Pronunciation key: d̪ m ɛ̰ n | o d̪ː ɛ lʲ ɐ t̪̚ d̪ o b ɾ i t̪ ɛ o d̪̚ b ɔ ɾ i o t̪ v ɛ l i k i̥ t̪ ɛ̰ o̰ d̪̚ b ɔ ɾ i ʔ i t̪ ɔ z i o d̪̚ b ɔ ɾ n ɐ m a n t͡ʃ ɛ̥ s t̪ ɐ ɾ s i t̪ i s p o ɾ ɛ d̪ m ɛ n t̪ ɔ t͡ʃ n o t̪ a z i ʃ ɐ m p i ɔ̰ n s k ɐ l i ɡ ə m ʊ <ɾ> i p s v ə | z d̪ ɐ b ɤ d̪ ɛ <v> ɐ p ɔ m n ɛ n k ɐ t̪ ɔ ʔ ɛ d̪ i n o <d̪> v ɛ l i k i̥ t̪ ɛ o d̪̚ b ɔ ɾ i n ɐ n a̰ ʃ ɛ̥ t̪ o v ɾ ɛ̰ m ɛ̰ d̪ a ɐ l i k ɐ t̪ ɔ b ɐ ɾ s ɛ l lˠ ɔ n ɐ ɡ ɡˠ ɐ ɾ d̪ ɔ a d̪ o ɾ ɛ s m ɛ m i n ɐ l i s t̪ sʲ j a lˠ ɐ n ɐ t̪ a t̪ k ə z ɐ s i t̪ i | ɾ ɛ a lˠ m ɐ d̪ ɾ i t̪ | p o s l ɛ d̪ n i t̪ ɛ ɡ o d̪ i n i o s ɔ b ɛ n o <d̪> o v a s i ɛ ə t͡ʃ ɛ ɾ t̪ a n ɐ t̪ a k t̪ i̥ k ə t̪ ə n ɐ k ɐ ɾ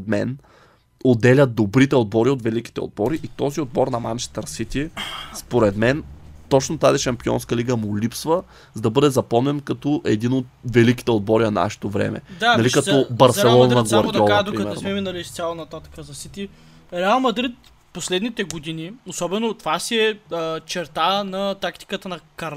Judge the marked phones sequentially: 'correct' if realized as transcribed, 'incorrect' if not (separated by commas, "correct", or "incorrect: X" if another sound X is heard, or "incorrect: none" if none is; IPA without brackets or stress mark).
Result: incorrect: l, incorrect: z, incorrect: t̪, incorrect: t̪